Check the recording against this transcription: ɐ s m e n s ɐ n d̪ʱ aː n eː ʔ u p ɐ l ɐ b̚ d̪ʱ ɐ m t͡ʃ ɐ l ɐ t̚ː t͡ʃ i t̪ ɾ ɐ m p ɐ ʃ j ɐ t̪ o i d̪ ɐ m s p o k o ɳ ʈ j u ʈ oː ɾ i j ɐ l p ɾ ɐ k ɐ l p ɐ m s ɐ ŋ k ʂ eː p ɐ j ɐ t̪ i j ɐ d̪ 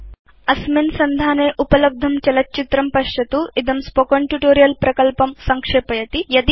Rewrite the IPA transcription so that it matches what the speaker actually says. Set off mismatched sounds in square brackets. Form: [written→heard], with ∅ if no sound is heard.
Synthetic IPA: ɐ s m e n s ɐ n d̪ʱ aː n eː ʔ u p ɐ l ɐ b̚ d̪ʱ ɐ m t͡ʃ ɐ l ɐ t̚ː t͡ʃ i t̪ ɾ ɐ m p ɐ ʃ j ɐ t̪ [o→u] i d̪ ɐ m s p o k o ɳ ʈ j u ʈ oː ɾ i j ɐ l p ɾ ɐ k ɐ l p ɐ m s ɐ ŋ k ʂ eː p ɐ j ɐ t̪ i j ɐ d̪